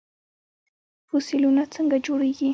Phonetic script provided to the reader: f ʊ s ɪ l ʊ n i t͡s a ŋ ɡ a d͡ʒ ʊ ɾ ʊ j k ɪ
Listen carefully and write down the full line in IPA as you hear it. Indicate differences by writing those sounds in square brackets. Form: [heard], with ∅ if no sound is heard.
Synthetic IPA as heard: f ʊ s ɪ l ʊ n [a] t͡s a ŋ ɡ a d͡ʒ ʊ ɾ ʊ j k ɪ